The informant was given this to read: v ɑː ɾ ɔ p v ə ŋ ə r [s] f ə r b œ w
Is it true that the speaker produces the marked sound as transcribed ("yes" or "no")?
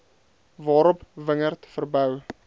no